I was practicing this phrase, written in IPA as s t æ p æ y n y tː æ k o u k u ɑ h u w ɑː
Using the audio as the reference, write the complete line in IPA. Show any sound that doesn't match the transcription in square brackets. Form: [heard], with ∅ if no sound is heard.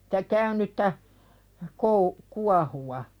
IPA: s t æ [k] æ y n y tː æ k o u k u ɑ h u w [ɑ]